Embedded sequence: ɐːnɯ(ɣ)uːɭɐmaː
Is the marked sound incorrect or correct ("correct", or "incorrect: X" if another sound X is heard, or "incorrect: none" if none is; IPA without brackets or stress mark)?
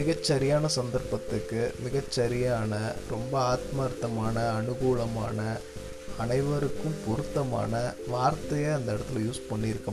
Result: correct